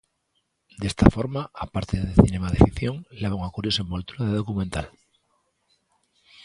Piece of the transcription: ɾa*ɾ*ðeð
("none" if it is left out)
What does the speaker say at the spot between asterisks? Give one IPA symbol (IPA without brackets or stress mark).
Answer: none